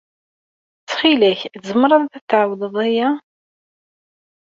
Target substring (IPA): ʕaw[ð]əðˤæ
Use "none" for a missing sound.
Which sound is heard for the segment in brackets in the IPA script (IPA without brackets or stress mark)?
ð